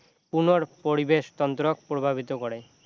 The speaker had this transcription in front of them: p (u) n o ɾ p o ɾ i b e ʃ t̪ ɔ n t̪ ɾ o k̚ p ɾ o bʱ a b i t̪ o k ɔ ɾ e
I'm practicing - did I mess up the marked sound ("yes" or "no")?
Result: no